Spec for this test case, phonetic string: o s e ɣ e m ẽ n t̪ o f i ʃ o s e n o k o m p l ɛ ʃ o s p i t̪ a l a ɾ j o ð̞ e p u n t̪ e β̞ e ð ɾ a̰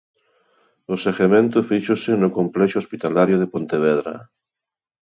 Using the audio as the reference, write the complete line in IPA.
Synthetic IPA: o s e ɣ e m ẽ n t̪ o f i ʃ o s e n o k o m p l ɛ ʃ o s p i t̪ a l a ɾ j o ð̞ e p o n t̪ e β̞ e ð ɾ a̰